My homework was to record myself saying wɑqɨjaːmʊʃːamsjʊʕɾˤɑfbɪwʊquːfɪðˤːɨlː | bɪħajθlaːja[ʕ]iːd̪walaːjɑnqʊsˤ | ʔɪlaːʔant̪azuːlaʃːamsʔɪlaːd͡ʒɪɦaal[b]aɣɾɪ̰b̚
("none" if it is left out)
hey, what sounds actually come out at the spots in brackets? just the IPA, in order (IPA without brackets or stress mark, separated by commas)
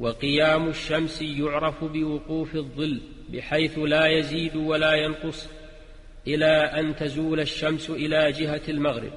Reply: z, m